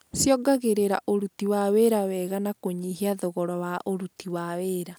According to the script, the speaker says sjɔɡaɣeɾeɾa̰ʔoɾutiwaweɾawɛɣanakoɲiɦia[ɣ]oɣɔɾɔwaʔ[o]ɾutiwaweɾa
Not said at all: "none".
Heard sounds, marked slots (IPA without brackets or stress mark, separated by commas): ð, o